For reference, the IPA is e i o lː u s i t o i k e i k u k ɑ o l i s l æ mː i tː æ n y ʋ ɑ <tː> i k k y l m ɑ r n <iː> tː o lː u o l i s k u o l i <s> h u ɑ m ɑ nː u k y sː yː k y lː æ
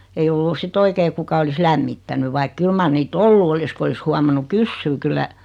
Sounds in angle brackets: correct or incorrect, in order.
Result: incorrect, correct, correct

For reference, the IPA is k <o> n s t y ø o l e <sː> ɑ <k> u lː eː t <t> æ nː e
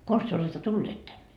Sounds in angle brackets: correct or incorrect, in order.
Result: correct, incorrect, incorrect, correct

